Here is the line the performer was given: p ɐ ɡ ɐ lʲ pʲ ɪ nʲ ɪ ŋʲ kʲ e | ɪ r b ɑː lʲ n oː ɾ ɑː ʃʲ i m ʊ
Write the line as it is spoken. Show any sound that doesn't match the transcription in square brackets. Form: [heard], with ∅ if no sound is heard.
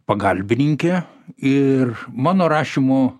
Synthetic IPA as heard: p ɐ ɡ ɐ lʲ [bʲ] ɪ nʲ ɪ ŋʲ kʲ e | ɪ r [m] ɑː [∅] n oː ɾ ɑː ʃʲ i m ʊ